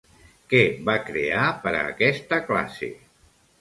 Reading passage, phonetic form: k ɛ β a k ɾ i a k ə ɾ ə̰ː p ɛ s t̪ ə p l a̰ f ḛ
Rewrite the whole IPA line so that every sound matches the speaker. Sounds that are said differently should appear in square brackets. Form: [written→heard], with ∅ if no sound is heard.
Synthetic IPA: k ɛ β a k ɾ [i→e] a [k→p] ə ɾ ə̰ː [p→k] ɛ s t̪ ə [p→k] l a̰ [f→s] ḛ